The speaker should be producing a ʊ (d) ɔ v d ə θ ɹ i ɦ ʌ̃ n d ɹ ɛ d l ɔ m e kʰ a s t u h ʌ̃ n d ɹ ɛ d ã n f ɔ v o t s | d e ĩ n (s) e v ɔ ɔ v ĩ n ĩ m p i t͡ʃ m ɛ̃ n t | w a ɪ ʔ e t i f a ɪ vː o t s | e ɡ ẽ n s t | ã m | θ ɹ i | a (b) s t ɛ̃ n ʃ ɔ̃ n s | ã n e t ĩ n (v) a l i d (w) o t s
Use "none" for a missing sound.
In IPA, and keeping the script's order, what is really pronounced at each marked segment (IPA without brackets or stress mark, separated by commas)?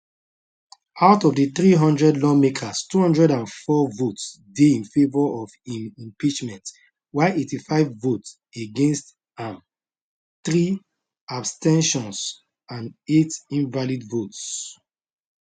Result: t, f, b, v, v